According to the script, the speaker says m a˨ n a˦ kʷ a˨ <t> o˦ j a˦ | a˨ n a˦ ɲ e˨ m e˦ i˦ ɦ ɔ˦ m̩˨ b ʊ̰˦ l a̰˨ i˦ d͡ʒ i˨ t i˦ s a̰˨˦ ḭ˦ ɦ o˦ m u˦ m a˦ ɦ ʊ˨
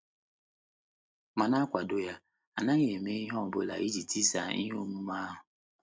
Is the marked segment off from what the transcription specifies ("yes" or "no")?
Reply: yes